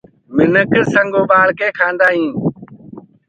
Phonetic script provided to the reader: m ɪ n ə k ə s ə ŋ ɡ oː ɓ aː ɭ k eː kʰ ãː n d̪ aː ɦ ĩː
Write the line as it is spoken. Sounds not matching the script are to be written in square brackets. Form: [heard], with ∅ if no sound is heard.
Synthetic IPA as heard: m ɪ n ə k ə s ə ŋ ɡ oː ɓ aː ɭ k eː kʰ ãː n d̪ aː ɦ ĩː